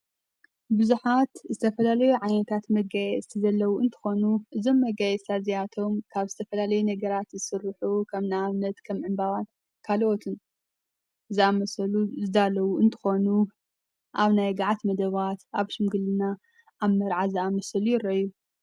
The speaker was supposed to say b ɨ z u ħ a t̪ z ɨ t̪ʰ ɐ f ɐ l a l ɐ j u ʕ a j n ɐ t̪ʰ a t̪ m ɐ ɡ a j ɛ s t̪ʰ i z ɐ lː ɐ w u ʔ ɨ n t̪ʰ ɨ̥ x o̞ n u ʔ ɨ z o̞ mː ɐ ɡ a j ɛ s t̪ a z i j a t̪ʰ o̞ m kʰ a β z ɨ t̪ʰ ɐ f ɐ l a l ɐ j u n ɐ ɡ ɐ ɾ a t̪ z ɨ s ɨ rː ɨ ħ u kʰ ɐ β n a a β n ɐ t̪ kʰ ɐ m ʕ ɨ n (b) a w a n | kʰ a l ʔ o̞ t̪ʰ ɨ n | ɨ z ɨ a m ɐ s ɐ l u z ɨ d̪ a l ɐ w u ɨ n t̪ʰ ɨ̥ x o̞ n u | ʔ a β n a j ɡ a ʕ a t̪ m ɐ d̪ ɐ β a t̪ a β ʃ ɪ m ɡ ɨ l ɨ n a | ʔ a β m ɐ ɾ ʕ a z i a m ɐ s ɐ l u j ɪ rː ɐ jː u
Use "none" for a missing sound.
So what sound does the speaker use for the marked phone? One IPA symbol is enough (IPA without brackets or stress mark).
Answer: b